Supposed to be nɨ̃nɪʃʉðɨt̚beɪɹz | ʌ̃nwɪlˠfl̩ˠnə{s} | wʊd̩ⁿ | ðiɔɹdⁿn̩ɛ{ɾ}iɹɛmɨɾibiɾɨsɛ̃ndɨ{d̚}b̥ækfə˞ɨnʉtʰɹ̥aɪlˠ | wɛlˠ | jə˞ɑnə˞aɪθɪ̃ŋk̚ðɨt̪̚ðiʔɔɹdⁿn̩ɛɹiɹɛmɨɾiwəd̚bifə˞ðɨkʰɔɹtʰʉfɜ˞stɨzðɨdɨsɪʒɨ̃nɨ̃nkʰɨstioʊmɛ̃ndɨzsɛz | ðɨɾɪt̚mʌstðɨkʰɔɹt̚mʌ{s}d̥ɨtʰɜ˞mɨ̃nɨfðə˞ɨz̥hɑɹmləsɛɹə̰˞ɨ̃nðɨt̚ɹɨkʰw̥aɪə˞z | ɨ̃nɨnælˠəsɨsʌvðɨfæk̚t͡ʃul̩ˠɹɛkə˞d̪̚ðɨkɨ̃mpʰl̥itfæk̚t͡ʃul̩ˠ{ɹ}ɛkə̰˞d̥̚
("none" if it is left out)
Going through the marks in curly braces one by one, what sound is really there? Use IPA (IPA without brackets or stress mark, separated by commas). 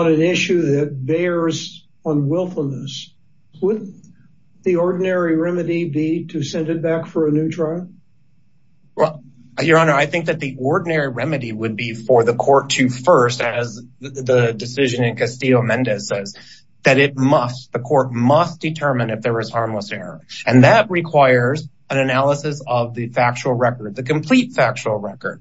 s, ɹ, t̚, s, ɹ